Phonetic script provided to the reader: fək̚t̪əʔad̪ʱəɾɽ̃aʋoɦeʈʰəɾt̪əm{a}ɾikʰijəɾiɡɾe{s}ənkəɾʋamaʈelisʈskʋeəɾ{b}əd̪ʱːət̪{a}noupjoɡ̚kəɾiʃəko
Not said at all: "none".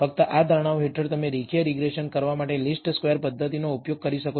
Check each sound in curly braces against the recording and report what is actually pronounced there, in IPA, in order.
e, ʃ, p, i

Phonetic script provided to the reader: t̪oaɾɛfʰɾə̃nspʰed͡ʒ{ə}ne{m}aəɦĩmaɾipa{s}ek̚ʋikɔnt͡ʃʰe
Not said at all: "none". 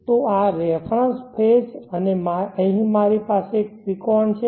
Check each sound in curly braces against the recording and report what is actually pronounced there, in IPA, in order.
ə, m, s

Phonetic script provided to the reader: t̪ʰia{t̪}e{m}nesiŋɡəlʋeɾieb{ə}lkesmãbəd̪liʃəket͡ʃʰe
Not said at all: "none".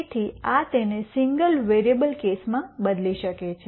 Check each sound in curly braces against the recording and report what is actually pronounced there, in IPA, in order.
t̪, none, ə

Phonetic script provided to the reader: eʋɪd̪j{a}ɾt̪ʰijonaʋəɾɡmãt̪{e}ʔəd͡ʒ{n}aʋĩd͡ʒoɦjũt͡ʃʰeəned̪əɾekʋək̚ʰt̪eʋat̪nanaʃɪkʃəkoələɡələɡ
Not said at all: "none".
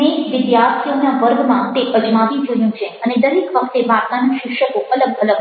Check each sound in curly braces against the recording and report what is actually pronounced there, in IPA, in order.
a, e, m

